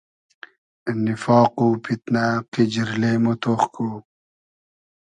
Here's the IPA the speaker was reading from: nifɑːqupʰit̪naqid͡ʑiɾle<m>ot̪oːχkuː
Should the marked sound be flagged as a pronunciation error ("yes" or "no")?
no